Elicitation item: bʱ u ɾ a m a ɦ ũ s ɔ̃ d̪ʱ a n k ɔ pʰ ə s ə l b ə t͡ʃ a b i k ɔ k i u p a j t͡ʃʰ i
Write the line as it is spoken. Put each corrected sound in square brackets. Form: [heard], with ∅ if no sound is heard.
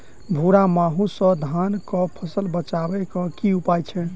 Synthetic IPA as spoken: bʱ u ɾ a m a ɦ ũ s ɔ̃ d̪ʱ a n k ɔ pʰ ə s ə l b ə t͡ʃ a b [ɛ] k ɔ k i u p a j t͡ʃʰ [ɛ]

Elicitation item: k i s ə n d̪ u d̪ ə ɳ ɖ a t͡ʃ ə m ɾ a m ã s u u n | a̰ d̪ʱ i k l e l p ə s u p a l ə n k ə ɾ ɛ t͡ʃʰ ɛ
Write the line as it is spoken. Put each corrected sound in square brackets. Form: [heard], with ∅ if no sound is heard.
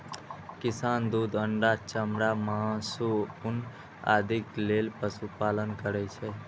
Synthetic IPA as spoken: k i s [a] n d̪ u d̪ ə ɳ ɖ a t͡ʃ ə m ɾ a m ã s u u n | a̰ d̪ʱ i k l e l p ə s u p a l ə n k ə ɾ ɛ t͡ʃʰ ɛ

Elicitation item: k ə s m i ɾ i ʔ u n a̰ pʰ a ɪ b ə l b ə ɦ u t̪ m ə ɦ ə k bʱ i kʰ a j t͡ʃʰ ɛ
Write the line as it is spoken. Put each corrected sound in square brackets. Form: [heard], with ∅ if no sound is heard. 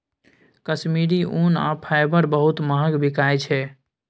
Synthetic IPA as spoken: k ə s m i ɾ i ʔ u n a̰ pʰ a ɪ b ə [ɾ] b ə ɦ u t̪ m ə ɦ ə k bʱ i [k] a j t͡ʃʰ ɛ

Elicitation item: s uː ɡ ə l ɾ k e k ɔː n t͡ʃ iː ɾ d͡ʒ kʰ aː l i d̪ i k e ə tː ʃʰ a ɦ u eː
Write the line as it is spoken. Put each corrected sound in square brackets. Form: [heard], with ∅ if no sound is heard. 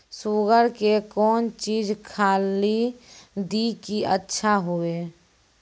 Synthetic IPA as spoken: s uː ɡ ə [∅] ɾ k e k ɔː n t͡ʃ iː [∅] d͡ʒ kʰ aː l i d̪ i k [i] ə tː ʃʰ a ɦ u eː

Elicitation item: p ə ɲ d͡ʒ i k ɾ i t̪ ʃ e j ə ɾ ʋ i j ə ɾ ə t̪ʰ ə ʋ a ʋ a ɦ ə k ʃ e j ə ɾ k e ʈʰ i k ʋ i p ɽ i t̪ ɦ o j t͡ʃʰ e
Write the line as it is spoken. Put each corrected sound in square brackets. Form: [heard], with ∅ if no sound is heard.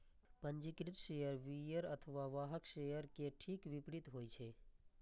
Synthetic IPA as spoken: p ə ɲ d͡ʒ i k ɾ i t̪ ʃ e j ə ɾ ʋ i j ə ɾ ə t̪ʰ ə ʋ a ʋ a ɦ ə k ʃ e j ə ɾ k e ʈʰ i k ʋ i p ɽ i t̪ ɦ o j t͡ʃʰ e

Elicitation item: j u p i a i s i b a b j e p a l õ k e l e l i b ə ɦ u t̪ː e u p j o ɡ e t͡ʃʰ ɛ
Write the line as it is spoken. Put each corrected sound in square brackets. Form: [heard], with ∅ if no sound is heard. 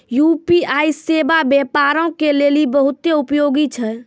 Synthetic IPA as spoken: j u p i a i s [e] b a b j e p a [ɾ] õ k e l e l i b ə ɦ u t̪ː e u p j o ɡ [i] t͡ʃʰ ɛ

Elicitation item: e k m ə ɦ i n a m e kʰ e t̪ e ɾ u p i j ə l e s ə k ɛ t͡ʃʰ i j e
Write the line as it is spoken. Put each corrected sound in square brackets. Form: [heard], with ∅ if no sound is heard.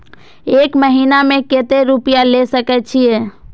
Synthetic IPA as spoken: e k m ə ɦ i n a m e [k] e t̪ e ɾ u p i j [a] l e s ə k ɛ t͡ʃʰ i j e

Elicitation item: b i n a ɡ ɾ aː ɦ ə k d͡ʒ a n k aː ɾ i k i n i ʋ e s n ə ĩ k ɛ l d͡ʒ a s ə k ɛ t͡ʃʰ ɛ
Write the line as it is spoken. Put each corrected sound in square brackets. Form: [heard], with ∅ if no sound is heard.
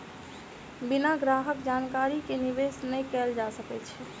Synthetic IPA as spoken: b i n a ɡ ɾ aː ɦ ə k d͡ʒ a n k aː ɾ i k [e] n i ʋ e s n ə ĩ k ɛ l d͡ʒ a s ə k ɛ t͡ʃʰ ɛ

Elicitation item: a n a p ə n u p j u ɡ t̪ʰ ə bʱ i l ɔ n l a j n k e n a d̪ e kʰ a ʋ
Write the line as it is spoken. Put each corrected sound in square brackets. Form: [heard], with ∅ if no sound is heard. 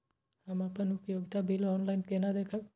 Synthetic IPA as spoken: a [m] a p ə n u p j [o] ɡ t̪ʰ [a] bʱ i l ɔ n l a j n k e n a d̪ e kʰ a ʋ

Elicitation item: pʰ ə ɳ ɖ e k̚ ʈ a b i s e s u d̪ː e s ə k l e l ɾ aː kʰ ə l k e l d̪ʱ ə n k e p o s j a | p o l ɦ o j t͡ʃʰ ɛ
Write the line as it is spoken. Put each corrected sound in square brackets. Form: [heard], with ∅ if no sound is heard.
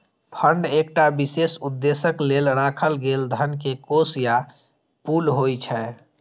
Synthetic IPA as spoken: pʰ ə ɳ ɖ e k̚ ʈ a b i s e s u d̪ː e s ə k l e l ɾ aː kʰ ə l [ɡ] e l d̪ʱ ə n k e [k] o s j a | p [u] l ɦ o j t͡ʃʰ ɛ

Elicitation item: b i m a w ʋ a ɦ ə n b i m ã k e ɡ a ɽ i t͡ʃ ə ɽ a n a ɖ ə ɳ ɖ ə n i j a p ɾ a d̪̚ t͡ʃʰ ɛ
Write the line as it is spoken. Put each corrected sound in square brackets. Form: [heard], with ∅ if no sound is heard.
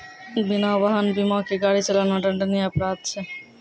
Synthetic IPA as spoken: b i [n] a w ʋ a ɦ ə n b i m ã k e ɡ a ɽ i t͡ʃ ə [l] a n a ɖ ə ɳ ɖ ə n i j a p ɾ a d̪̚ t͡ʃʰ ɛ

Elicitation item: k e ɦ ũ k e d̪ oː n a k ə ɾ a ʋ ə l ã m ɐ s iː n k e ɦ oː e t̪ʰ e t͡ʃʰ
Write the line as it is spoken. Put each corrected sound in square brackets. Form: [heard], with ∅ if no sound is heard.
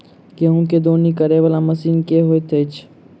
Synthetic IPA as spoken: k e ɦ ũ k e d̪ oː n [i] k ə ɾ [e] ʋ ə l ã m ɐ s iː n k e ɦ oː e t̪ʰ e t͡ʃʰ

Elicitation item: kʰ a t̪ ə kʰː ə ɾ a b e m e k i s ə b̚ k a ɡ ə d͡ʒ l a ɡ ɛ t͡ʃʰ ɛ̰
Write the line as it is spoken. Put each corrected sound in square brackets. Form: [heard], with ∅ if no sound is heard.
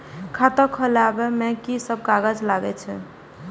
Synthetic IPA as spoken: kʰ a t̪ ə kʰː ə [l] a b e m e k i s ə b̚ k a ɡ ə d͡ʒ l a ɡ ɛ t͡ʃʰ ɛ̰

